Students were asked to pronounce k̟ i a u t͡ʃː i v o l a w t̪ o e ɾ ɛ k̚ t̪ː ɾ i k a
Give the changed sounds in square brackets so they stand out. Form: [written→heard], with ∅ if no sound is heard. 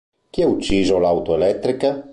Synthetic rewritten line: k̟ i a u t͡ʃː i [v→z] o l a w t̪ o e [ɾ→l] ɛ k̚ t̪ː ɾ i k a